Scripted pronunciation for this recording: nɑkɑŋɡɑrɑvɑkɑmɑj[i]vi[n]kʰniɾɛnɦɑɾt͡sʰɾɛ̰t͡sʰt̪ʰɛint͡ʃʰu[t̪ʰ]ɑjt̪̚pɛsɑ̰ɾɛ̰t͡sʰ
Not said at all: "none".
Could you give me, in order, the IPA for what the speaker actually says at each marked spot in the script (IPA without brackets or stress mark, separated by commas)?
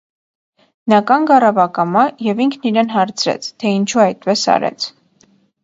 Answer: ɛ, ŋ, none